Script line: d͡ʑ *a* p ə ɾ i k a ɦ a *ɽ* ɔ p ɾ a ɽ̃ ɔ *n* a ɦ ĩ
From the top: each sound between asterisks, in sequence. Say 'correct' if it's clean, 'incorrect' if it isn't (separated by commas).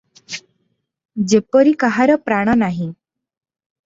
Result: incorrect, incorrect, correct